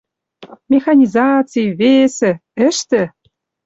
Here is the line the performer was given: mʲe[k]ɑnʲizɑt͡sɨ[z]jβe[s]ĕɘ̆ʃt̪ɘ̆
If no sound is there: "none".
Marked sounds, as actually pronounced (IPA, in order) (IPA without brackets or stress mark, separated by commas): x, none, s